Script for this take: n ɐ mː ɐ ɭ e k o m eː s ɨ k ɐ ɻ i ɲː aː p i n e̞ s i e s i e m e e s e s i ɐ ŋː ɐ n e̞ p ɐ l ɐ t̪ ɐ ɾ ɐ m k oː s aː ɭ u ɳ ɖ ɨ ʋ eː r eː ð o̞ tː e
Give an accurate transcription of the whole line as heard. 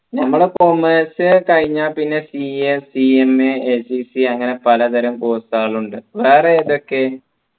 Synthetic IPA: n ɐ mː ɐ ɭ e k o m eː s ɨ k ɐ ɻ i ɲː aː p i nː e̞ s i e s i e m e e s i s i ɐ ŋː ɐ n e̞ p ɐ l ɐ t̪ ɐ ɾ ɐ m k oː s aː ɭ u ɳ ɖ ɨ ʋ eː r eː ð o̞ kː e